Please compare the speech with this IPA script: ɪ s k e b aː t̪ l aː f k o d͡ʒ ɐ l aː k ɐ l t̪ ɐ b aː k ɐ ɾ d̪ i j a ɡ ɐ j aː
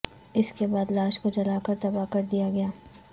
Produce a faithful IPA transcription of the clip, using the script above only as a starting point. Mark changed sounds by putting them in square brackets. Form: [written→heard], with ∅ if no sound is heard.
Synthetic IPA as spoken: ɪ s k e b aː [t̪→d̪] l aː [f→ʃ] k o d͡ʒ ɐ l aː k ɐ [l→ɾ] t̪ ɐ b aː k ɐ ɾ d̪ i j a ɡ ɐ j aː